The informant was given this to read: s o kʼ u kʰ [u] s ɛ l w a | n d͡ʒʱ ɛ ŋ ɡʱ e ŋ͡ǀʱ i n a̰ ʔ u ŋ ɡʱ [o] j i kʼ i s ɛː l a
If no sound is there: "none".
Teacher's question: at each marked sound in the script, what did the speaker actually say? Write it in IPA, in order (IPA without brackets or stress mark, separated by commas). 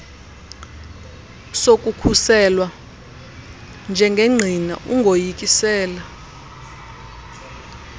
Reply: u, o